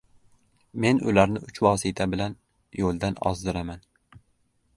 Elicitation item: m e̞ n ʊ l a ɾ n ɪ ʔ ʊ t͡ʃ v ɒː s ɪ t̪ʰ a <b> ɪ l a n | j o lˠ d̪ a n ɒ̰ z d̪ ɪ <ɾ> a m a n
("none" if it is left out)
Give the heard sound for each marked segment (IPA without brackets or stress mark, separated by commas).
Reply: b, ɾ